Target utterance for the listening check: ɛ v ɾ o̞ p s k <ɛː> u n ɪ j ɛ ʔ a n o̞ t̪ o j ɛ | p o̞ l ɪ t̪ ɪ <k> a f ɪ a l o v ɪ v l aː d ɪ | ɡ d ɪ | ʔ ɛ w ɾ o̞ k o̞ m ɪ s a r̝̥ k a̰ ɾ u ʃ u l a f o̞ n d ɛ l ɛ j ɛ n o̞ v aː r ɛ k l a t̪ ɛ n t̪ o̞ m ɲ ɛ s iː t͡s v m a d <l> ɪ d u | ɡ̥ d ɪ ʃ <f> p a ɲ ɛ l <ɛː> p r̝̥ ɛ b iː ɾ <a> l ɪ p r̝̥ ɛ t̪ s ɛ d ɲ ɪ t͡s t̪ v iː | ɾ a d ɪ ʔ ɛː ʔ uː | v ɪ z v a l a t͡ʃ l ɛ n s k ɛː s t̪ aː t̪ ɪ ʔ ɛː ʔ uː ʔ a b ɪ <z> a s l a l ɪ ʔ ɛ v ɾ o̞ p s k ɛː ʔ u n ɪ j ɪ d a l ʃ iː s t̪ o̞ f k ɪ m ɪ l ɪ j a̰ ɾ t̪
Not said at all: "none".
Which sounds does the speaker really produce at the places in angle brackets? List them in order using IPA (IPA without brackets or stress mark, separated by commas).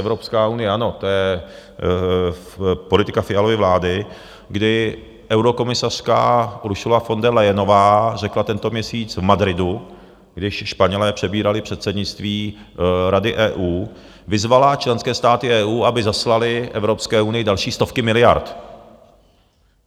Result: aː, k, ɾ, ʃ, ɛː, a, z